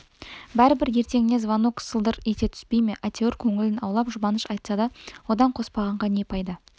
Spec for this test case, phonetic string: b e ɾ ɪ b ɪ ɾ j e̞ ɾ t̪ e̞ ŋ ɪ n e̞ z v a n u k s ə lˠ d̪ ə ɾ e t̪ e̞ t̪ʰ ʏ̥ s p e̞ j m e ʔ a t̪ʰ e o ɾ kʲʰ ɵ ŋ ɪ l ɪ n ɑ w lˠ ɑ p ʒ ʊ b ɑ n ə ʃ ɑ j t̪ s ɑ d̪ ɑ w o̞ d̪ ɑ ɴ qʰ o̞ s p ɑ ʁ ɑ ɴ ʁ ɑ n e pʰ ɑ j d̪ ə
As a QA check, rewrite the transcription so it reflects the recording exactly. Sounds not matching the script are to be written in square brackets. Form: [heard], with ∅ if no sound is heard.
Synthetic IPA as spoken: b [æ] ɾ ɪ b ɪ ɾ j e̞ ɾ t̪ e̞ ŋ ɪ n e̞ z v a n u k s ə lˠ d̪ ə ɾ e t̪ e̞ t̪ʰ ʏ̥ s p e̞ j m e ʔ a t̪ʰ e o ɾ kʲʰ ɵ ŋ ɪ l ɪ n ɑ w lˠ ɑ p ʒ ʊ b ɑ n ə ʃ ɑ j t̪ s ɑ d̪ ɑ w o̞ d̪ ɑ ɴ qʰ o̞ s p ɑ ʁ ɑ ɴ ʁ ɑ n e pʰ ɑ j d̪ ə

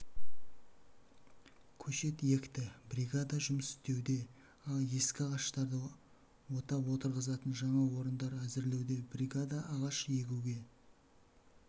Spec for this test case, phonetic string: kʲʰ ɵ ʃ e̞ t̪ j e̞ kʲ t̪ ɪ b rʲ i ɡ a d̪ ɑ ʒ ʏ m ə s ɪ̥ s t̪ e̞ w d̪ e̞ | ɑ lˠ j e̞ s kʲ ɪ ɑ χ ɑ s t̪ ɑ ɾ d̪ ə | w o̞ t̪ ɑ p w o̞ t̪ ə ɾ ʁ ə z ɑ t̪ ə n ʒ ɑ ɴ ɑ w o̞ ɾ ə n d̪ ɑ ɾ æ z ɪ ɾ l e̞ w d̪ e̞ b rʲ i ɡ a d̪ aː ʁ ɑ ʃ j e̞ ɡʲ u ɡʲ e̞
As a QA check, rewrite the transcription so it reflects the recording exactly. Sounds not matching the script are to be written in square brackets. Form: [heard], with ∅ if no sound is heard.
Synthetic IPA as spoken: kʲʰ ɵ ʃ e̞ t̪ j e̞ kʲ t̪ ɪ b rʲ i ɡ a d̪ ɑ ʒ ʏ m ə s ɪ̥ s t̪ e̞ w d̪ e̞ | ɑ lˠ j e̞ s kʲ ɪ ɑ [ʁ] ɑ [ʃ] t̪ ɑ ɾ d̪ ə | w o̞ t̪ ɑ p w o̞ t̪ ə ɾ ʁ ə z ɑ t̪ ə n ʒ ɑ ɴ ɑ w o̞ ɾ ə n d̪ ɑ ɾ æ z ɪ ɾ l e̞ w d̪ e̞ b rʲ i ɡ a d̪ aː ʁ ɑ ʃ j e̞ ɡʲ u ɡʲ e̞

